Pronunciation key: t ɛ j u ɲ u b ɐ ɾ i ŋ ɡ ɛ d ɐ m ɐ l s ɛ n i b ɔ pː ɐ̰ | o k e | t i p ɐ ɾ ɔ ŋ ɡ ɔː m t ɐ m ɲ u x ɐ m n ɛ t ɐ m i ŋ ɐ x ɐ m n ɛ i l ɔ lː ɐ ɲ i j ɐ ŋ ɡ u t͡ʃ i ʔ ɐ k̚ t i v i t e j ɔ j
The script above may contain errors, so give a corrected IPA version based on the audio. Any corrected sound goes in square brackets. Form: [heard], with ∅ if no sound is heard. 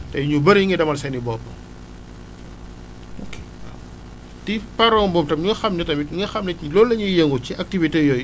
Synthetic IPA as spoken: t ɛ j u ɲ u b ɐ ɾ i ŋ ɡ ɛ d ɐ m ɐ l s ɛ n i b ɔ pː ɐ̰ | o k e | t i p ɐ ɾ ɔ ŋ [b] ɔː m t ɐ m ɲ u x ɐ m n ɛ t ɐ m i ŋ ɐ x ɐ m n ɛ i l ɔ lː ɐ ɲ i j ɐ ŋ ɡ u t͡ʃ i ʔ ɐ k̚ t i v i t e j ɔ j